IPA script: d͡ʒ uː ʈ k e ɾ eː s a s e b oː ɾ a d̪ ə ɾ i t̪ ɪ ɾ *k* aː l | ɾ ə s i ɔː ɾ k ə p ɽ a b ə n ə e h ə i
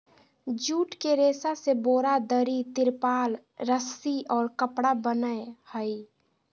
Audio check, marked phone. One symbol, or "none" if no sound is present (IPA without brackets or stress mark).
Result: p